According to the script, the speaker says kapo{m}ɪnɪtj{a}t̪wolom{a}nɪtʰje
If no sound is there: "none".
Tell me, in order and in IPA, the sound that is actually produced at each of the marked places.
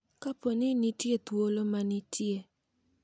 n, e, a

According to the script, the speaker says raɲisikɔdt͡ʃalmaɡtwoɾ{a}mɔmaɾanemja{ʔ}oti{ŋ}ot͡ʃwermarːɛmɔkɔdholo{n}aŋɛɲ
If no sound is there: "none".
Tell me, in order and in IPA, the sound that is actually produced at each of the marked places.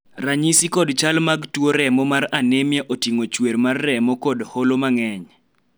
ɛ, ʔ, ŋ, m

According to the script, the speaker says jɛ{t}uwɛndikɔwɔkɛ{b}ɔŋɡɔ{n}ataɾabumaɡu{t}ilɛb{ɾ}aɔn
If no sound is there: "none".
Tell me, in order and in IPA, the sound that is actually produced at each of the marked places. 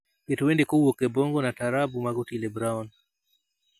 t, b, n, t, ɾ

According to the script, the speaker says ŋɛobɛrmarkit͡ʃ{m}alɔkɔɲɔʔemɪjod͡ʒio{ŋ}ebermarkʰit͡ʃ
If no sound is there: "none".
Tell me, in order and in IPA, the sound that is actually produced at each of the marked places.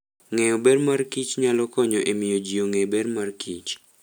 ɲ, ŋ

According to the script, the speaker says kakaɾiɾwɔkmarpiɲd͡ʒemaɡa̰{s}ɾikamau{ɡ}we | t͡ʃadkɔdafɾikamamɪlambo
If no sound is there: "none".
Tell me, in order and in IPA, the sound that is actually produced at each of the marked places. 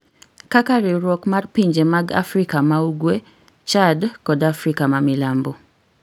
f, ɡ

